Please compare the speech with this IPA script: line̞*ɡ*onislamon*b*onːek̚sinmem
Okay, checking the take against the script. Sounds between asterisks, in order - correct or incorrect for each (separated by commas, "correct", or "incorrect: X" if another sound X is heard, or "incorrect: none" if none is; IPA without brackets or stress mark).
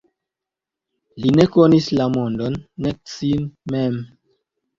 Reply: incorrect: k, incorrect: d